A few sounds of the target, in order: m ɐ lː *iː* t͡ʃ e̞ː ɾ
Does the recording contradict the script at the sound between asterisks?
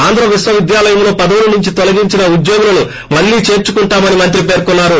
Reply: no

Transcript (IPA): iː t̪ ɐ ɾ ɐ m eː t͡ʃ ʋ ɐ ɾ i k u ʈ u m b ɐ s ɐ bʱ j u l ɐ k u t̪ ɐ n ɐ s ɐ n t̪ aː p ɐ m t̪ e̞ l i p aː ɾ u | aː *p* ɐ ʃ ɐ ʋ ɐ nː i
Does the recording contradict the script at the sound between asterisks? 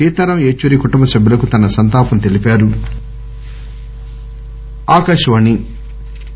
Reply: yes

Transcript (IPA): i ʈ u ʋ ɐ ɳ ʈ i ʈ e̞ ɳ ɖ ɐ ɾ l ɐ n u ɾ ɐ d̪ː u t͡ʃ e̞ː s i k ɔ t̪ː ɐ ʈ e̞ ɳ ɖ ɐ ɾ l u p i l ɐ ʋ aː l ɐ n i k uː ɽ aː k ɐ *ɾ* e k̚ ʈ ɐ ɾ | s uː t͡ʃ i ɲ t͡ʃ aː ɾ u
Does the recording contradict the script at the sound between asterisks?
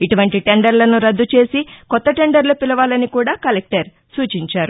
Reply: yes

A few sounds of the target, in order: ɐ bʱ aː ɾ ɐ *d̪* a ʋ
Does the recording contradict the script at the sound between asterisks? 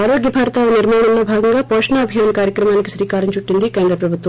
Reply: yes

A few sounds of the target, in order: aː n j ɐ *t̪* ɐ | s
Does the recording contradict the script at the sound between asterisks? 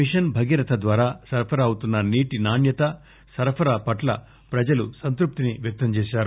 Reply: no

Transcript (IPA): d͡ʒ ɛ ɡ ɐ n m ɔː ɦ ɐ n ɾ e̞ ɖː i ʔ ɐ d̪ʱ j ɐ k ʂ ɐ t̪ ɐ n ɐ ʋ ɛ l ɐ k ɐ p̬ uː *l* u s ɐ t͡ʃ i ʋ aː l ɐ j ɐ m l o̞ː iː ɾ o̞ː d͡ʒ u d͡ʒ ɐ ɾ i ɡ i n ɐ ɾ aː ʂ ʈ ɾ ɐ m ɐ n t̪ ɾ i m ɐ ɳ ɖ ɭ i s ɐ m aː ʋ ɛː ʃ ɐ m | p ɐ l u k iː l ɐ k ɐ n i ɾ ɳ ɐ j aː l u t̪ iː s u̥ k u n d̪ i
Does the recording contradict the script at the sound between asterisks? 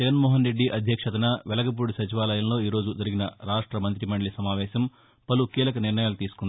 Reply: yes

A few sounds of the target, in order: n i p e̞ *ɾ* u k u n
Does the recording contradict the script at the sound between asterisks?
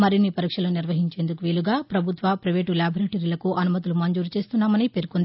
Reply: no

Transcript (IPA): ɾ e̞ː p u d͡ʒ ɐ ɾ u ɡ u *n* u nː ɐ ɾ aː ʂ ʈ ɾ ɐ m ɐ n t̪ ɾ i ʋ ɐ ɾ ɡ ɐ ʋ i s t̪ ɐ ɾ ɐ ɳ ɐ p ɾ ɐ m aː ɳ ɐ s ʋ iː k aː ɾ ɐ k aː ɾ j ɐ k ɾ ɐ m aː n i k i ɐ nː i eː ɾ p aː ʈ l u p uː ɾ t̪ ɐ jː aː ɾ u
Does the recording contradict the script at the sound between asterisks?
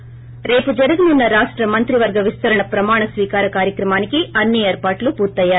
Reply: no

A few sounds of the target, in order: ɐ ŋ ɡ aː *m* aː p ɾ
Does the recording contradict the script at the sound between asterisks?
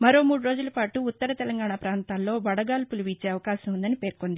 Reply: yes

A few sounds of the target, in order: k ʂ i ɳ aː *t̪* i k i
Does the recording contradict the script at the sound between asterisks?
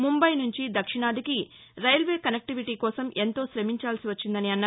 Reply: yes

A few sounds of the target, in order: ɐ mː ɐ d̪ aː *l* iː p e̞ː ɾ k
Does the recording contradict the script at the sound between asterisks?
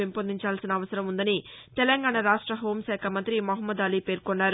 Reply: no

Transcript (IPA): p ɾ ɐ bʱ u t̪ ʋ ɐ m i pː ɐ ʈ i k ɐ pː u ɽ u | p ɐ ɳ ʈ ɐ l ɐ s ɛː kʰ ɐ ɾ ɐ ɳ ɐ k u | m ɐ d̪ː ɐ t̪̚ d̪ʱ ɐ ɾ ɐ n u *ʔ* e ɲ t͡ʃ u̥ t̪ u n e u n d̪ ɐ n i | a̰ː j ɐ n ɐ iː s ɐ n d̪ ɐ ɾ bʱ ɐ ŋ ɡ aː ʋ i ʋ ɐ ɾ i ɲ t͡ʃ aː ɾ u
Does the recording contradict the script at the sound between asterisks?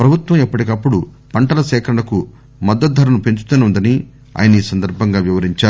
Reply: yes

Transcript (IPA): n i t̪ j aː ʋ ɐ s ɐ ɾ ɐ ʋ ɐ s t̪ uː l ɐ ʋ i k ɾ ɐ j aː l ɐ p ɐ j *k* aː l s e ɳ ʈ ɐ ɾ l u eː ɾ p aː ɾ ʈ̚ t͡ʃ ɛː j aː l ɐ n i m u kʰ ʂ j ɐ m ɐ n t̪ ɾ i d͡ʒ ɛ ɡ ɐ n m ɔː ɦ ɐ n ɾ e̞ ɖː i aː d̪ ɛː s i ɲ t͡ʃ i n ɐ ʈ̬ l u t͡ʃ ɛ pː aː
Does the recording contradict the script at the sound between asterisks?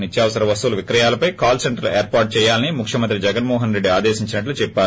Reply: no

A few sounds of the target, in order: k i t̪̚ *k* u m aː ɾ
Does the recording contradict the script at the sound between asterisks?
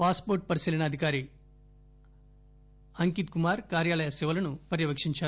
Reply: no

